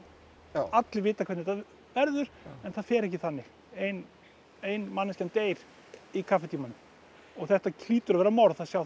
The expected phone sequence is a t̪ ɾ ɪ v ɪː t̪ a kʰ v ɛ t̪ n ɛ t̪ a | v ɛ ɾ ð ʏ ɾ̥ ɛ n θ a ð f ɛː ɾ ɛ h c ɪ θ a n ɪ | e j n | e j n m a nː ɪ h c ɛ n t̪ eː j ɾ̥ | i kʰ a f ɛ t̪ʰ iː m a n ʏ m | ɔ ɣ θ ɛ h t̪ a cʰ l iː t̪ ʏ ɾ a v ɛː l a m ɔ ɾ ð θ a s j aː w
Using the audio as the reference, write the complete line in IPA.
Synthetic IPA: a t̪ l ɪ v ɪː t̪ a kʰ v ɛ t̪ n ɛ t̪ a | v ɛ ɾ ð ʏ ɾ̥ ɛ n θ a ð f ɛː ɾ ɛ h c ɪ θ a nː ɪ | e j n | e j n m a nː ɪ s c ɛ n t̪ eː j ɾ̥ | i kʰ a f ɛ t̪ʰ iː m a n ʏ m | ɔ ɣ θ ɛ h t̪ a cʰ l iː t̪ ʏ ɾ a v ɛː ɾ a m ɔ ɾ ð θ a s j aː w